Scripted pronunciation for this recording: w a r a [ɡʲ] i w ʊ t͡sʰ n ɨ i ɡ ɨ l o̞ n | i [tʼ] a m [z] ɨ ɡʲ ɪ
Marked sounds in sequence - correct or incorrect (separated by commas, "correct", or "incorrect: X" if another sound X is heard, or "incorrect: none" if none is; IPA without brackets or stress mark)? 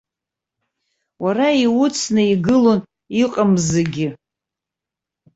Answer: incorrect: none, incorrect: qʼ, correct